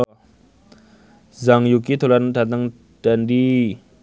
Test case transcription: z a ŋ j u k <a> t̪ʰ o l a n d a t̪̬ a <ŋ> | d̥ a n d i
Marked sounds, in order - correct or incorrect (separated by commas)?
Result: incorrect, correct